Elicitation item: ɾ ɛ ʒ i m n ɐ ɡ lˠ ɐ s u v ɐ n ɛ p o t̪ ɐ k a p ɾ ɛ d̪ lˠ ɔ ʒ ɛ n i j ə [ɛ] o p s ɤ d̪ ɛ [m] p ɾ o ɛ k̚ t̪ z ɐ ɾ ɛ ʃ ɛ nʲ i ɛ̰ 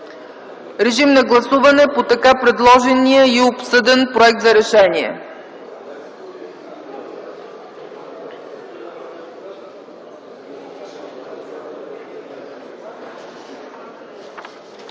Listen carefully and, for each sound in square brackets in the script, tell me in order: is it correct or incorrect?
incorrect: i, incorrect: n

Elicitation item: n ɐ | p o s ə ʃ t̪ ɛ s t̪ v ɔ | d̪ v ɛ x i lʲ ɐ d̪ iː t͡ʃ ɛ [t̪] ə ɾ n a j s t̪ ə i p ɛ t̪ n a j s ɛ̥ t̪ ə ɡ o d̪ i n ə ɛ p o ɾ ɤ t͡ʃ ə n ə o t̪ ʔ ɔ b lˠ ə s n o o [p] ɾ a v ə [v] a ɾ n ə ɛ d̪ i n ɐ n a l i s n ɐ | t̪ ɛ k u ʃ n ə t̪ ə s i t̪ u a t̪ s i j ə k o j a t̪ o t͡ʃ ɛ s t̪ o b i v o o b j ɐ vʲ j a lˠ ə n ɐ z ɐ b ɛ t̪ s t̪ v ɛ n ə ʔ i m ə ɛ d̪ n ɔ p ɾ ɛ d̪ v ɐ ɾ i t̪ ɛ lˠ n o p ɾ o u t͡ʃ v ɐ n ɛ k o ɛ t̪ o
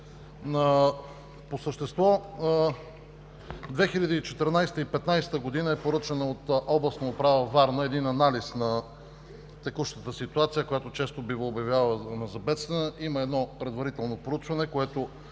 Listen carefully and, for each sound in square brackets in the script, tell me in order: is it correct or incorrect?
correct, correct, correct

